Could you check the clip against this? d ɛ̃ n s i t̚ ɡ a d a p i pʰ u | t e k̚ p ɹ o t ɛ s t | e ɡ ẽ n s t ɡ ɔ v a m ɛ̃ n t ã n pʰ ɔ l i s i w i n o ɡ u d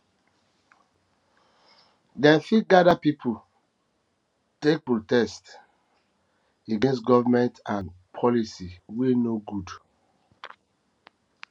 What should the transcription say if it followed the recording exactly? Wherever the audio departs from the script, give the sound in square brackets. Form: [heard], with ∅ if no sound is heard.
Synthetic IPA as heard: d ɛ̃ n [f] i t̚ ɡ a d a p i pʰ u | t e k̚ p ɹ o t ɛ s t | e ɡ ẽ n s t ɡ ɔ v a m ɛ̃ n t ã n pʰ ɔ l i s i w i n o ɡ u d